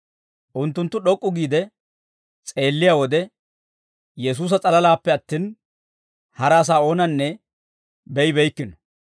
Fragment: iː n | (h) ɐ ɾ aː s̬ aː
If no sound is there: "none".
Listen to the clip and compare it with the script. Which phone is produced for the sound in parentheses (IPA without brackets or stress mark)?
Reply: h